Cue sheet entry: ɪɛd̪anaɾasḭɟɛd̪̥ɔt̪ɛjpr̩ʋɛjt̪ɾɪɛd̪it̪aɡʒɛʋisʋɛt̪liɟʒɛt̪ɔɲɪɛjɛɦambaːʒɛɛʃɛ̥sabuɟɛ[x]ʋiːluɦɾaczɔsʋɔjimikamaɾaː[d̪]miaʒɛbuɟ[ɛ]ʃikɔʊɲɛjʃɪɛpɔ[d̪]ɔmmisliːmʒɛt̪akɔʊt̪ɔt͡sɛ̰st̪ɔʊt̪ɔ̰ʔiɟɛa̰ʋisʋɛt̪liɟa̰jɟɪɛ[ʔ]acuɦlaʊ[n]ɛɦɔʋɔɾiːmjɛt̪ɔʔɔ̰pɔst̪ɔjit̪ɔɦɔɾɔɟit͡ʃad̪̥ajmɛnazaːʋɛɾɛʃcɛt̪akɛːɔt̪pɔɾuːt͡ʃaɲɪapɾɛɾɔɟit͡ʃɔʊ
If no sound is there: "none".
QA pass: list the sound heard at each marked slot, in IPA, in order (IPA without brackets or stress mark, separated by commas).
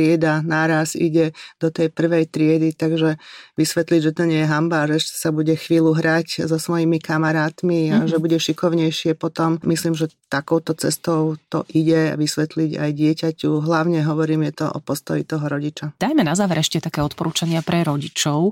x, t̪, ɛ, t̪, c, ɲ